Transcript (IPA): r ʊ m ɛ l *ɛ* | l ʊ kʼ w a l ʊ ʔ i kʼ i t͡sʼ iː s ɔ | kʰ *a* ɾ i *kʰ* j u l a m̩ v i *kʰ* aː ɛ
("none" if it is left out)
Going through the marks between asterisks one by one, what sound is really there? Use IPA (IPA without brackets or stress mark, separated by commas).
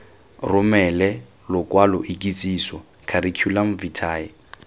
ɛ, a, kʰ, tʰ